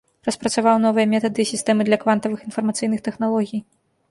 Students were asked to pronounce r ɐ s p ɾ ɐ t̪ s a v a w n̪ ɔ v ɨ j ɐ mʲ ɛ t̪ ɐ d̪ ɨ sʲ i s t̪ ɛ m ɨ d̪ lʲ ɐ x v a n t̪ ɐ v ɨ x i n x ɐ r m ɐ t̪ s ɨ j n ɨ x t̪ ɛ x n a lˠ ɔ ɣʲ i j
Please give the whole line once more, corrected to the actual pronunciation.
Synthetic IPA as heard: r ɐ s p ɾ ɐ t̪ s a v a w n̪ ɔ v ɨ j ɐ mʲ ɛ t̪ ɐ d̪ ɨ sʲ i s t̪ ɛ m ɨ d̪ lʲ ɐ k v a n t̪ ɐ v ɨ x i n f ɐ r m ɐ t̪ s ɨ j n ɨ x t̪ ɛ x n a lˠ ɔ ɣʲ i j